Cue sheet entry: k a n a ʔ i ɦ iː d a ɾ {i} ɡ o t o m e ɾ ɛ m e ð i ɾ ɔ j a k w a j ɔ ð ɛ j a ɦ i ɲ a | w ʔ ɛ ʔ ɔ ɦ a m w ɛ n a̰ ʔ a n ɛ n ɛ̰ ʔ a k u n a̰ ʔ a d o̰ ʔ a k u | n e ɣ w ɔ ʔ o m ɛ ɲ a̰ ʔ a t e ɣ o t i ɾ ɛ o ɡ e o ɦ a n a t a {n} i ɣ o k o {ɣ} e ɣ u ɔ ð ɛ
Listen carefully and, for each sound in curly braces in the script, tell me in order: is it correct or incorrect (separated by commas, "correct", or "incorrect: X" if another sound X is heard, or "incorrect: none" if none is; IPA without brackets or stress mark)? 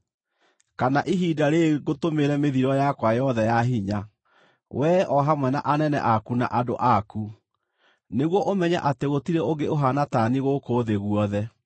incorrect: e, correct, incorrect: ð